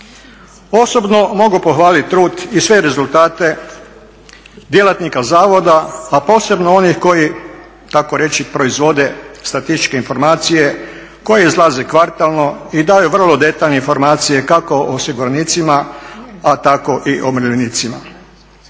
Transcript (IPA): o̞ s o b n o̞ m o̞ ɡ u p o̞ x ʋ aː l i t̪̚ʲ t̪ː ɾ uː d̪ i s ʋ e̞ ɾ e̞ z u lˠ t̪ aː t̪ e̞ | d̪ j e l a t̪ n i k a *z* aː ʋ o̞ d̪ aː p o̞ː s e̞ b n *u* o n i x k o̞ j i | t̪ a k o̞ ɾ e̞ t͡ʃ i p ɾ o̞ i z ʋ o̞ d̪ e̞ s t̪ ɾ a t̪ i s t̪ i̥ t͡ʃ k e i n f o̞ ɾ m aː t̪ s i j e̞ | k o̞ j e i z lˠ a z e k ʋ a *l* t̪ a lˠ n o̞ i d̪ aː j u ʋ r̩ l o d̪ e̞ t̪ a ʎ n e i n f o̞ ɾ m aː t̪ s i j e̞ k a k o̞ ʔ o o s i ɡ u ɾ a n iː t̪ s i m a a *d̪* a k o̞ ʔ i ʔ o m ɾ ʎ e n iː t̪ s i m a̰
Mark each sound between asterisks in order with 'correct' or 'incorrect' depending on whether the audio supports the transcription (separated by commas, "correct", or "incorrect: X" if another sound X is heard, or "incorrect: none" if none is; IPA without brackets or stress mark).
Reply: correct, incorrect: o, incorrect: ɾ, incorrect: t̪